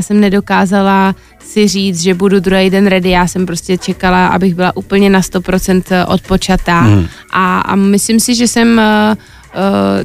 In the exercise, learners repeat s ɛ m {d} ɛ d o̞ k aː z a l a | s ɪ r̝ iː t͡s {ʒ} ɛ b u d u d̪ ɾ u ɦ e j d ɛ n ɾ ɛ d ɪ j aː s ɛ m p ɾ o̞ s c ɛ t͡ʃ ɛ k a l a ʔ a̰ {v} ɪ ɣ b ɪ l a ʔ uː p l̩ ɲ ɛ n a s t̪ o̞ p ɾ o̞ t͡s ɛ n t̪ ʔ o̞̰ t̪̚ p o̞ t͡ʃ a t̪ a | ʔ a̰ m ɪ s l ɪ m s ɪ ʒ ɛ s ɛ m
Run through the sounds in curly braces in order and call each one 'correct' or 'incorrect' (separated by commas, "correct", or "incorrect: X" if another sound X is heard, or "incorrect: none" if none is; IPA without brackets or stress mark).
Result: incorrect: n, correct, incorrect: b